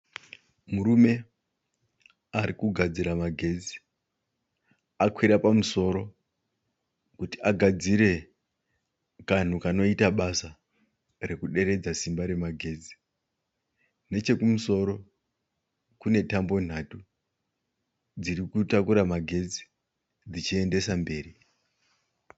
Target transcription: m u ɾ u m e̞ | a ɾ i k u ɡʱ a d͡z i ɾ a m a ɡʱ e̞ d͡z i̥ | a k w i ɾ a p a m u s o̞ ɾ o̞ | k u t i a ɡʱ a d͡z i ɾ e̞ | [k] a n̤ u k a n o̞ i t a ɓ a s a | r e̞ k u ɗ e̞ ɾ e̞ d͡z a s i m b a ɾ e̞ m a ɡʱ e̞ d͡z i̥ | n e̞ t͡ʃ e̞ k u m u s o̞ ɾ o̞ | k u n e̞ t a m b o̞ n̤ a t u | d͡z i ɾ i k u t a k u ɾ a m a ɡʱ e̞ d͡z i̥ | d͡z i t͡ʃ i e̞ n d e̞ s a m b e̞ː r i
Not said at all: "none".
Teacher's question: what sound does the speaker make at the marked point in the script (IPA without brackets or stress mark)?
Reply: k